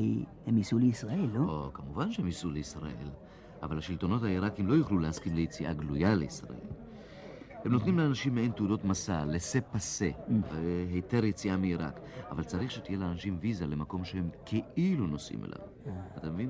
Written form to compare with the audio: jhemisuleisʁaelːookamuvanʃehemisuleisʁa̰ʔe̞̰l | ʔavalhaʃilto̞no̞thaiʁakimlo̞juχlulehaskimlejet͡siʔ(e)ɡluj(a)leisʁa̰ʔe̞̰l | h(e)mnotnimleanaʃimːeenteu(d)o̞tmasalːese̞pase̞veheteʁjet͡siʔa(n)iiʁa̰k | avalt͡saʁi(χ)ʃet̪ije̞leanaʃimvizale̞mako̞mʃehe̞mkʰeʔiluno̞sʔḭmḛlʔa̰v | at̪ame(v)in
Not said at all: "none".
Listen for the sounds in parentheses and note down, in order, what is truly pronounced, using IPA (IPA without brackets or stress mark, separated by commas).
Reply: a, a, e, d, m, χ, v